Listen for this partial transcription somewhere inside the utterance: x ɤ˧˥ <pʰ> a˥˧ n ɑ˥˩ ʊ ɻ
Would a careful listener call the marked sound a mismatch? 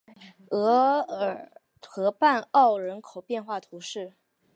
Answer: yes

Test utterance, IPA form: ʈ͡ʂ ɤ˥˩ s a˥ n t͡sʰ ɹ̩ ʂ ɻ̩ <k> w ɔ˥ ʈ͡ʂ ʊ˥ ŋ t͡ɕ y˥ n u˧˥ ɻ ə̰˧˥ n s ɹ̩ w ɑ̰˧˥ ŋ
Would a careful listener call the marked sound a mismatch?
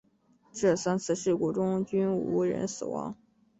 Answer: no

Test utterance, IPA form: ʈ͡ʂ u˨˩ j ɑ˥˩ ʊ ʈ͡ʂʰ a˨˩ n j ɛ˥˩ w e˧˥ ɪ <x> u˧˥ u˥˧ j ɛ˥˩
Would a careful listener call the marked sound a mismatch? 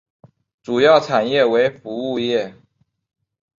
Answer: yes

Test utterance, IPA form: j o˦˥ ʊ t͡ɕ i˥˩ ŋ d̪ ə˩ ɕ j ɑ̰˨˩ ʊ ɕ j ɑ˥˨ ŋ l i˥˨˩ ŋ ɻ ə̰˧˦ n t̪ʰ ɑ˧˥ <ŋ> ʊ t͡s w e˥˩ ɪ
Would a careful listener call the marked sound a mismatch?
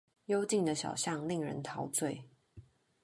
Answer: yes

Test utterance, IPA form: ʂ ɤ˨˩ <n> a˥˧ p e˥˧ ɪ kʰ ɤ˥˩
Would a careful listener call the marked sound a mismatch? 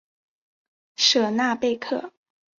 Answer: no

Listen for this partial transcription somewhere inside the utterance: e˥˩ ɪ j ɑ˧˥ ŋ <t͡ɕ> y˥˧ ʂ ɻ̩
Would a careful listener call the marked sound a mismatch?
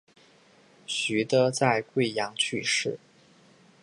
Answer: yes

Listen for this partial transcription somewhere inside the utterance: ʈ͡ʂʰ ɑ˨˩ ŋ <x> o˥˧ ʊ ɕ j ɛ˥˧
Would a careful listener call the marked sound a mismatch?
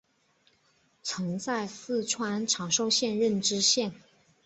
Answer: yes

